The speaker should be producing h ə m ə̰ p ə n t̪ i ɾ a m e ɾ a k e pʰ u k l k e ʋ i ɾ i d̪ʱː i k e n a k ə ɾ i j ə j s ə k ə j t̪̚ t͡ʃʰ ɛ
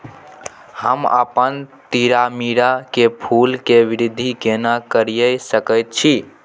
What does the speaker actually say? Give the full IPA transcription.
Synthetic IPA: h ə m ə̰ p ə n t̪ i ɾ a m i ɾ a k e pʰ u l k e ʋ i ɾ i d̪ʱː i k e n a k ə ɾ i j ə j s ə k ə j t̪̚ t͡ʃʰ i